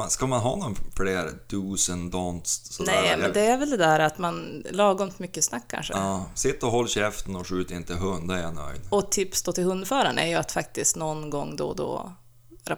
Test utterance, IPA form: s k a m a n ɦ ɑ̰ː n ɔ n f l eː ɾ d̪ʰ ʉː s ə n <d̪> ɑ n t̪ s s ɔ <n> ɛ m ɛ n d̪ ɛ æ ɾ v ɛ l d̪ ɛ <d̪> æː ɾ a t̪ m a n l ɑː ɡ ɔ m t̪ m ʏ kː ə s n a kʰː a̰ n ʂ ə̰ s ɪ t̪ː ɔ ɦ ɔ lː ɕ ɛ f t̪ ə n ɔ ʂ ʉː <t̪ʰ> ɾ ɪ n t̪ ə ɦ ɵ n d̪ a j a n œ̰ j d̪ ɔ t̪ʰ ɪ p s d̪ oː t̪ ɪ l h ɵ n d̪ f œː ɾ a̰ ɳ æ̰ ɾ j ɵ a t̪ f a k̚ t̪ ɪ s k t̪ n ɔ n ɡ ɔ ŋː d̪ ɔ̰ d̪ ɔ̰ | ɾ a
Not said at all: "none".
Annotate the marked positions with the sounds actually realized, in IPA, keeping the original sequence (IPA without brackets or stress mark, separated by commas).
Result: d̪, n, d̪, t̪